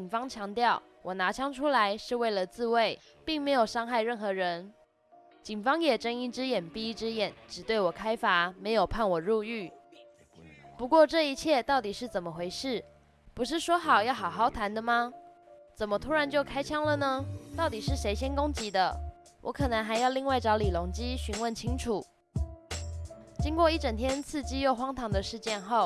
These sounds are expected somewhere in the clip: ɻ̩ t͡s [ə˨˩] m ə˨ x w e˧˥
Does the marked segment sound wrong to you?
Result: no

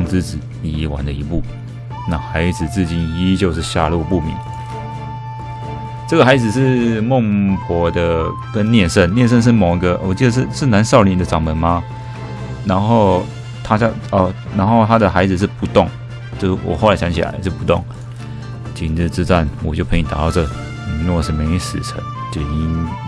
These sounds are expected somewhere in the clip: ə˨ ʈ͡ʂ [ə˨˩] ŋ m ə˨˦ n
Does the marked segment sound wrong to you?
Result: yes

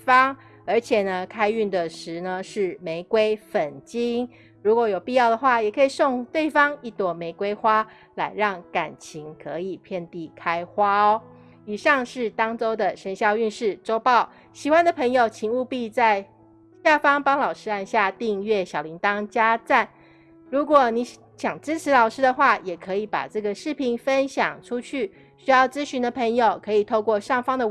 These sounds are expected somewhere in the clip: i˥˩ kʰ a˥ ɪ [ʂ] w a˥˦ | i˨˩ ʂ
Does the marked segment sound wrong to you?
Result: yes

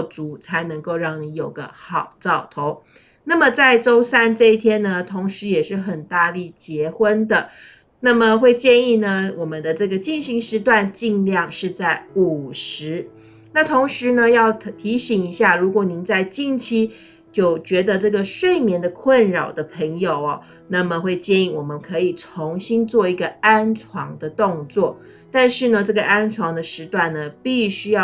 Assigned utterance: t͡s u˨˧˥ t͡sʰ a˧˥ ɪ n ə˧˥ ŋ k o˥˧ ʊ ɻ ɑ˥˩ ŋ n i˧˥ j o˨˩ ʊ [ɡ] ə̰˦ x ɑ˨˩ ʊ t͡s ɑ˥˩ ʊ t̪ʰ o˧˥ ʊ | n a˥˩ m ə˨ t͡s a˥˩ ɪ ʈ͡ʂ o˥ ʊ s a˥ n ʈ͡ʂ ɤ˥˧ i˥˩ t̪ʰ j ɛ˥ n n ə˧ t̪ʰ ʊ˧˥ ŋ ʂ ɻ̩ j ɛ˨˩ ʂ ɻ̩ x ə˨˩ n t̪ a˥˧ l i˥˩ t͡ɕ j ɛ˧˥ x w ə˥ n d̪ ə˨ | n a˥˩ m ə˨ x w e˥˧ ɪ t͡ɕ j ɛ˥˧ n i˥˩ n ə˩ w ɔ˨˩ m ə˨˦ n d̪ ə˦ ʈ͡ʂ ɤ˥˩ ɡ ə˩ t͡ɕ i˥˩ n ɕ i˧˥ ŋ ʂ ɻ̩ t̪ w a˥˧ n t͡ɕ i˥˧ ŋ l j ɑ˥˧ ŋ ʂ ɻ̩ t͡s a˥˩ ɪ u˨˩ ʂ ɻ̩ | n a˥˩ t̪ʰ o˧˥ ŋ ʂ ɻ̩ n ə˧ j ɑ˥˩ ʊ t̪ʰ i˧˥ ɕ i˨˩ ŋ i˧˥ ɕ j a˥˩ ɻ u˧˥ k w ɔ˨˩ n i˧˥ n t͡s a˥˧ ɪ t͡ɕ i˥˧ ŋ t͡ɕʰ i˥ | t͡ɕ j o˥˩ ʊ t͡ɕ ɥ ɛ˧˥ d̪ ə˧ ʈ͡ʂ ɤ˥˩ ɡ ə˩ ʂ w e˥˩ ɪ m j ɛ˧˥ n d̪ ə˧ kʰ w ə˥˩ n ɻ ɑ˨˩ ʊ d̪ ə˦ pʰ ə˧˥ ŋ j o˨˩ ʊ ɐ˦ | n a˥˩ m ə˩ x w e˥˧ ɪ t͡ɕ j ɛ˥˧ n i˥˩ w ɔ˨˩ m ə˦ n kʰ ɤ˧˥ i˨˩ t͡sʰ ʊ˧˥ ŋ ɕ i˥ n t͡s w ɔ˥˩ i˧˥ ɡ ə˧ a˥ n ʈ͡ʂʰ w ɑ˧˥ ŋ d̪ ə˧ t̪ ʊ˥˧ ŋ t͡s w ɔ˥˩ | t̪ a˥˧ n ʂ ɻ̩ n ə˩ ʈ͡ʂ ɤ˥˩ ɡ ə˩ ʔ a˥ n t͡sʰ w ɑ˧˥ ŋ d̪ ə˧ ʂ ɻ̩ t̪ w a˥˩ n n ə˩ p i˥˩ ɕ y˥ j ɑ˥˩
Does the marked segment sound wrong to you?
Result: no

